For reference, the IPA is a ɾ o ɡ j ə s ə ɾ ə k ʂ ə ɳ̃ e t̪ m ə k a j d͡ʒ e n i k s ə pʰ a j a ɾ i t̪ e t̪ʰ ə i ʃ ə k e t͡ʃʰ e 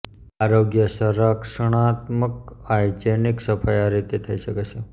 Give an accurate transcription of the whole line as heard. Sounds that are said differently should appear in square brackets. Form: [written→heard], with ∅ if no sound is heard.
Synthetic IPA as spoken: a ɾ o ɡ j ə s ə ɾ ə k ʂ ə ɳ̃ [e→a] t̪ m ə k a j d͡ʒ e n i k s ə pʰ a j a ɾ i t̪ e t̪ʰ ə i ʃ ə k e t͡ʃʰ e